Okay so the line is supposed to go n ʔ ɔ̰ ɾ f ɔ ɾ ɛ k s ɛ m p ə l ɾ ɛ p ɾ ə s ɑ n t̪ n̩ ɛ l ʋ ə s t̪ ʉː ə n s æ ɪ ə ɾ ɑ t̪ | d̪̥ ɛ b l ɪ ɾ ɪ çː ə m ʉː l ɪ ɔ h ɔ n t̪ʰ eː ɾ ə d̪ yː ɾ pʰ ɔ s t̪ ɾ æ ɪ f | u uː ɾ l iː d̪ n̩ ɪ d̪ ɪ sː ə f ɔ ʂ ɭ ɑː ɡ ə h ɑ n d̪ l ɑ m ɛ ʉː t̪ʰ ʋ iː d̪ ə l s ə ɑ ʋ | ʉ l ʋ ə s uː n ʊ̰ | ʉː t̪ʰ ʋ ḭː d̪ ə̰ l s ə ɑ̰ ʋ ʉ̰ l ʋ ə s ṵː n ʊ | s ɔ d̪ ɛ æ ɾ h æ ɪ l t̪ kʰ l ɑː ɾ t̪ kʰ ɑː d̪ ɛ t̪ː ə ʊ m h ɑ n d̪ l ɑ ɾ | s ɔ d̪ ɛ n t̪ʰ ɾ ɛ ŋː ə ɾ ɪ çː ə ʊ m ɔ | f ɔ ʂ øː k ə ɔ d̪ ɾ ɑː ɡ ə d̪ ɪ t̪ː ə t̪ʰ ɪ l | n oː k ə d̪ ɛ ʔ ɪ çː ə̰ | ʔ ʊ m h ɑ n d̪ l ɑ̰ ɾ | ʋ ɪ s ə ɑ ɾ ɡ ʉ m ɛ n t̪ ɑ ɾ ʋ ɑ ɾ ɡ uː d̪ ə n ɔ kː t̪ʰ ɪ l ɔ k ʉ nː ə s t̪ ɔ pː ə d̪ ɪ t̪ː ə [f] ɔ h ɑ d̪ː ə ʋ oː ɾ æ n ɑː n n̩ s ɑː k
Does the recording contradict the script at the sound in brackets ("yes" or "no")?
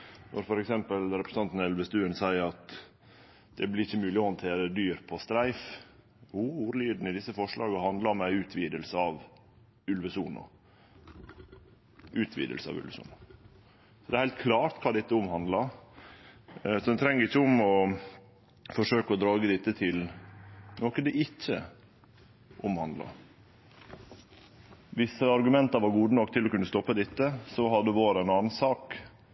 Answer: yes